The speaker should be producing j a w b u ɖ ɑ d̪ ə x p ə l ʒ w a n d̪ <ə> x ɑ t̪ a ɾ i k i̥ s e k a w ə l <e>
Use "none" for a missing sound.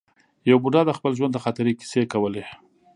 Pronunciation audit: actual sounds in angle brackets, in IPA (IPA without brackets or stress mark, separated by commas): ə, e